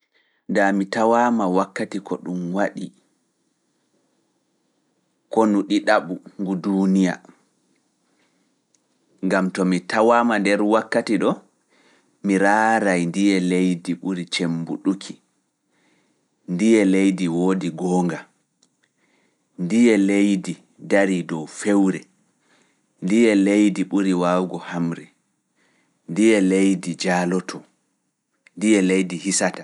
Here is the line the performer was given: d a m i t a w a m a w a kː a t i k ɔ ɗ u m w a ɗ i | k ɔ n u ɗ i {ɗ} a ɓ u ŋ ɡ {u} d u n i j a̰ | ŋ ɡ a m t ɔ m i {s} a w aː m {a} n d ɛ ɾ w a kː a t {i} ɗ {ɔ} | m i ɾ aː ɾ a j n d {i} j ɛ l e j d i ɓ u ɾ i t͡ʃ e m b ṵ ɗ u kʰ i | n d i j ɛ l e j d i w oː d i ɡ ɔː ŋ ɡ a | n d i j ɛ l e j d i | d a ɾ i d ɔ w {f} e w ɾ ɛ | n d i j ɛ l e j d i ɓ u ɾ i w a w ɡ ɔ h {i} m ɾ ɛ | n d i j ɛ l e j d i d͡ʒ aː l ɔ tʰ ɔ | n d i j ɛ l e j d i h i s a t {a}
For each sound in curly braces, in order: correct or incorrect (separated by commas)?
correct, correct, incorrect, correct, correct, correct, correct, correct, incorrect, correct